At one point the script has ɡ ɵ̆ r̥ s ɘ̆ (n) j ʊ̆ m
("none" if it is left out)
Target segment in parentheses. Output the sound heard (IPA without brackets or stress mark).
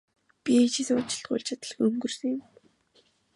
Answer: ŋ